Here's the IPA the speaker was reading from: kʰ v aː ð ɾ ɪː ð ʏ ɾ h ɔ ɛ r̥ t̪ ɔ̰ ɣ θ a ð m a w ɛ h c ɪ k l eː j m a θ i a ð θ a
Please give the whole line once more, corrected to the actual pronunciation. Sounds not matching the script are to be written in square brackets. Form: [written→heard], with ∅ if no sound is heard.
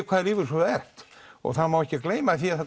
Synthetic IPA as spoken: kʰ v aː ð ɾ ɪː [ð→v] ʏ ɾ [h→s] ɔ ɛ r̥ t̪ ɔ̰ ɣ θ a ð m a w ɛ h c ɪ k l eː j m a θ i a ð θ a